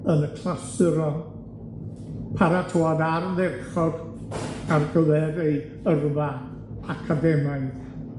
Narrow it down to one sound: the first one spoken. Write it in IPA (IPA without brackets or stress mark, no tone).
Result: ə